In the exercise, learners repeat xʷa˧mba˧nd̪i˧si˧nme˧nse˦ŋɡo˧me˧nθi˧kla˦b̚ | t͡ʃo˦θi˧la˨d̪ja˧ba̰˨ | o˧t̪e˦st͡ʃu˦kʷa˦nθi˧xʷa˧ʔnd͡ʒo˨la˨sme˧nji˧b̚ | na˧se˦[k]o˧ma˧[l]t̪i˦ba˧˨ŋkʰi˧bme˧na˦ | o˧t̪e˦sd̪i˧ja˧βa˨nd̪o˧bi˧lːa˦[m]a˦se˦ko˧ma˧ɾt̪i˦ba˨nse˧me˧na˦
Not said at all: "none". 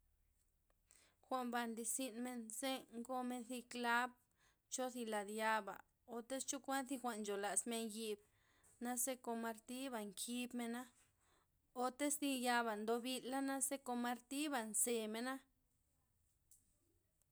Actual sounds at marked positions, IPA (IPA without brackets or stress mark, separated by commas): k, ɾ, n